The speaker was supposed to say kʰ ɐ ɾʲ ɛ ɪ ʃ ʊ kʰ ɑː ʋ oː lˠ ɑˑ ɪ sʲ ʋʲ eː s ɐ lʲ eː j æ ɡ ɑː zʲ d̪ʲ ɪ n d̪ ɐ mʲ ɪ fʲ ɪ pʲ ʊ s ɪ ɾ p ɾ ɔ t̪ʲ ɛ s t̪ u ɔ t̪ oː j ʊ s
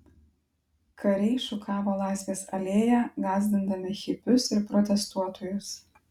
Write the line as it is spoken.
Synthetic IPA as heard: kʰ ɐ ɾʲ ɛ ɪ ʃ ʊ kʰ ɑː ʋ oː lˠ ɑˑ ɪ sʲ ʋʲ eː s ɐ lʲ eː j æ ɡ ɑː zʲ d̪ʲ ɪ n d̪ ɐ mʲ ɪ xʲ ɪ pʲ ʊ s ɪ ɾ p ɾ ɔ t̪ʲ ɛ s t̪ u ɔ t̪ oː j ʊ s